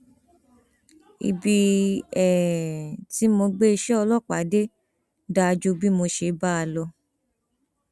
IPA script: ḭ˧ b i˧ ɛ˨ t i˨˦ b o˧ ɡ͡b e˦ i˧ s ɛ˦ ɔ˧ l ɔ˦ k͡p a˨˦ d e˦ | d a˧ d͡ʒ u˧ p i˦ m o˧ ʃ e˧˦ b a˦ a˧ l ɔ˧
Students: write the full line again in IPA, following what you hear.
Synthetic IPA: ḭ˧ b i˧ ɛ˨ t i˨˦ m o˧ ɡ͡b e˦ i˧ ʃ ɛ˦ ɔ˧ l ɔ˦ k͡p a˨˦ d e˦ | d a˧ d͡ʒ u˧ b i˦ m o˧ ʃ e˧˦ b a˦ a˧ l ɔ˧